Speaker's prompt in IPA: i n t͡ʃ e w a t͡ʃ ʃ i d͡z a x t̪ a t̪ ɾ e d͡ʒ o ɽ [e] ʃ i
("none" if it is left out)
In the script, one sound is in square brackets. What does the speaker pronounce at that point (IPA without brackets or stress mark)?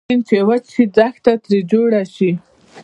a